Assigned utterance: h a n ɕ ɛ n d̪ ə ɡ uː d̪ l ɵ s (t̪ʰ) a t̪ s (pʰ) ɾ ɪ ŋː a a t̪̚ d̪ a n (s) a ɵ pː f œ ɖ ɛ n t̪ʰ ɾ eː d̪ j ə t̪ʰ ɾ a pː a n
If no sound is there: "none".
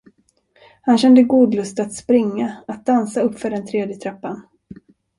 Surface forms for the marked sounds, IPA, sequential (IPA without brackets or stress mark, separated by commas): t̪, p, s